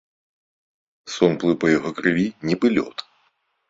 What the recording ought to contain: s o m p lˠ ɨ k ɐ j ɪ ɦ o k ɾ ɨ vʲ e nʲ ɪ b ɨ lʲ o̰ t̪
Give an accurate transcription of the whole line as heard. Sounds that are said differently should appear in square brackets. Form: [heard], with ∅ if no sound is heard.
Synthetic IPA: s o [n] p lˠ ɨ [p] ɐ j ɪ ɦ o k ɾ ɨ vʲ [i] nʲ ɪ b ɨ lʲ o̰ t̪